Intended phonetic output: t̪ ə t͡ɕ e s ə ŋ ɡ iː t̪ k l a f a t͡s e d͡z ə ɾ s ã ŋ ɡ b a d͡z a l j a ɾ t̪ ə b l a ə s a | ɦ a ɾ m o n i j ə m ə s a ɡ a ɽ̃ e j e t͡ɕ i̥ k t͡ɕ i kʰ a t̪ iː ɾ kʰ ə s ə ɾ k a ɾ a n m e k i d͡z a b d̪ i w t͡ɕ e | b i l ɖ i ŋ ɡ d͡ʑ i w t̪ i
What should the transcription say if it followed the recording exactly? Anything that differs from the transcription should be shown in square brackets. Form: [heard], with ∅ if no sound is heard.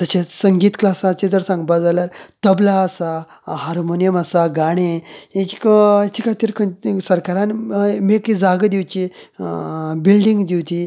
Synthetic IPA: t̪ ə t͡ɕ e s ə ŋ ɡ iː t̪ k l a [s] a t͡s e d͡z ə ɾ s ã ŋ ɡ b a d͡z a l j a ɾ t̪ ə b l a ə s a | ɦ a ɾ m o n i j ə m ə s a ɡ a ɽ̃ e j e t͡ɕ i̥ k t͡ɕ i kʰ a t̪ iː ɾ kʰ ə s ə ɾ k a ɾ a n m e k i d͡z a [ɡ] d̪ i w t͡ɕ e | b i l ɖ i ŋ ɡ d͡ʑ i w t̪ i